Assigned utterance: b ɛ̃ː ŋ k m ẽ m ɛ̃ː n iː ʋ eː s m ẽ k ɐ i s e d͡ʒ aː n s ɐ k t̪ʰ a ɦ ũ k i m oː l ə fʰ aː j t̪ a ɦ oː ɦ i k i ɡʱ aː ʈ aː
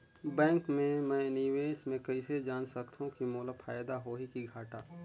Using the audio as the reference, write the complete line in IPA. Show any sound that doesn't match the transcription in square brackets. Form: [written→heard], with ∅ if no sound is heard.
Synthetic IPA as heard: b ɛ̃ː ŋ k m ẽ m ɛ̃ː n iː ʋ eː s m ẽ k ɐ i s e d͡ʒ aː n s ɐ k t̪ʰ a ɦ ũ k i m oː l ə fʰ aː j [t̪→d̪] a ɦ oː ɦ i k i ɡʱ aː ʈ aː